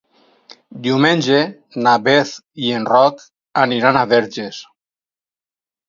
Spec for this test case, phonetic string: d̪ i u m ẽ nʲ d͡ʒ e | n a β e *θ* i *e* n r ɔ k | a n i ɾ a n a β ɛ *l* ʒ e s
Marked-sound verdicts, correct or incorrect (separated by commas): correct, correct, incorrect